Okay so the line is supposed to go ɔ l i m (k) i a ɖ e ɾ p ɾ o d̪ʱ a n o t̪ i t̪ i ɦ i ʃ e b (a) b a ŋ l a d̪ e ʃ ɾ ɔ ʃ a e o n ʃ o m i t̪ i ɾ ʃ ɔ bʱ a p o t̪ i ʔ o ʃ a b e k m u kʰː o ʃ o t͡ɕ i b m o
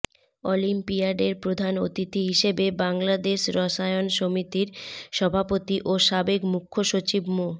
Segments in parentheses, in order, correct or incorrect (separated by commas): incorrect, incorrect